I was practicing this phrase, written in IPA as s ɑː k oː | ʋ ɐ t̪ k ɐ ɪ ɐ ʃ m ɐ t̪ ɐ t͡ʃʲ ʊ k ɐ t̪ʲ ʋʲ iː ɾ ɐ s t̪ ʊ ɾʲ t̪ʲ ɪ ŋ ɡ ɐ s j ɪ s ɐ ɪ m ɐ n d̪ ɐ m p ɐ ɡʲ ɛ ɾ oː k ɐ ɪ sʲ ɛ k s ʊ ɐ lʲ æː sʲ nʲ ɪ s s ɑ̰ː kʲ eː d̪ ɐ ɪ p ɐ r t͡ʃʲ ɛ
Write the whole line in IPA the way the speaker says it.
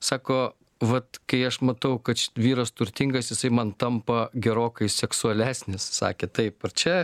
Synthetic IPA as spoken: s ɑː k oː | ʋ ɐ t̪ k ɐ ɪ ɐ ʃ m ɐ t̪ ɐ ʊ k ɐ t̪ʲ ʋʲ iː ɾ ɐ s t̪ ʊ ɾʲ t̪ʲ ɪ ŋ ɡ ɐ s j ɪ s ɐ ɪ m ɐ n t̪ ɐ m p ɐ ɡʲ ɛ ɾ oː k ɐ ɪ sʲ ɛ k s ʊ ɐ lʲ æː sʲ nʲ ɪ s s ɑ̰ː kʲ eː t̪ ɐ ɪ p ɐ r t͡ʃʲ ɛ